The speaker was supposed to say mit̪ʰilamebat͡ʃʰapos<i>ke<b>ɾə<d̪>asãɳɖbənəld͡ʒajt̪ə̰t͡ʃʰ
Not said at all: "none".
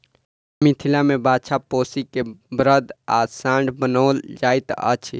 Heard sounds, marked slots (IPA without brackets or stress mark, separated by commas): i, b, d̪